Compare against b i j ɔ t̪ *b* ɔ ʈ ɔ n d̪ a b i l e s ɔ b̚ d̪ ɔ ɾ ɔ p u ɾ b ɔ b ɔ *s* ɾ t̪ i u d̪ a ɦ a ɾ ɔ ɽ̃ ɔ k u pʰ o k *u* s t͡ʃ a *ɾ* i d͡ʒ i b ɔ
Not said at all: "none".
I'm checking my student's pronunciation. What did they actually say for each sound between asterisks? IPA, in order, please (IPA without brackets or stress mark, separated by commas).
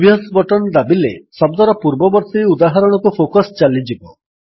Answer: b, none, ɔ, l